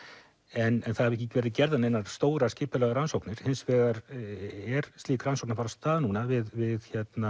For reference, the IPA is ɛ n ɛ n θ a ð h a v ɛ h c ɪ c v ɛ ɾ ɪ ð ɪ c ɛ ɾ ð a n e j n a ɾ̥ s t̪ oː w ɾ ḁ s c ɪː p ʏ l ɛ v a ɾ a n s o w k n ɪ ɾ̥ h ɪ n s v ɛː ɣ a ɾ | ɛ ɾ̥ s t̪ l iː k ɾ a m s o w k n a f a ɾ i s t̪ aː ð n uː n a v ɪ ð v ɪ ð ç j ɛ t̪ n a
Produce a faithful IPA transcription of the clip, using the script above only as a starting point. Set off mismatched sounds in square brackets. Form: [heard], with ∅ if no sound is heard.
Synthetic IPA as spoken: ɛ n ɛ n θ a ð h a v ɛ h c ɪ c v ɛ ɾ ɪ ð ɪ c ɛ ɾ ð a n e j n a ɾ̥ s t̪ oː w ɾ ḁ s c ɪː p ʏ l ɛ [ɣ] a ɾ a n s o w k n ɪ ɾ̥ h ɪ n s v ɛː ɣ a ɾ | ɛ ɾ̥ s t̪ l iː k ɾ a [n] s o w k n a f a ɾ [a] s t̪ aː ð n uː n a v ɪ ð v ɪ ð ç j ɛ t̪ n a